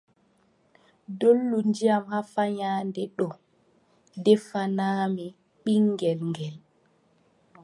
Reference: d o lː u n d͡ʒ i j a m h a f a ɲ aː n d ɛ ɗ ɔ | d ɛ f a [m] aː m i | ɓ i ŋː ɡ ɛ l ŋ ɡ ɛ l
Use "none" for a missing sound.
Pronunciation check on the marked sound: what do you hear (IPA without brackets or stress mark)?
n